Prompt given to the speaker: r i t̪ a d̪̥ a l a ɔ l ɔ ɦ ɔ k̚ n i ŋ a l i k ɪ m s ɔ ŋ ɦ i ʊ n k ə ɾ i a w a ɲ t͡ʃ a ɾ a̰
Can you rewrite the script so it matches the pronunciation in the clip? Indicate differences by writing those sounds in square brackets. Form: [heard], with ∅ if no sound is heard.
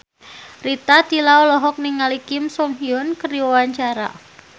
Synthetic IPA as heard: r i t̪ a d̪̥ [i] l a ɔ l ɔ ɦ ɔ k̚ n i ŋ a l i k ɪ m s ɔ ŋ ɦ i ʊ n k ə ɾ i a w a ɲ t͡ʃ a ɾ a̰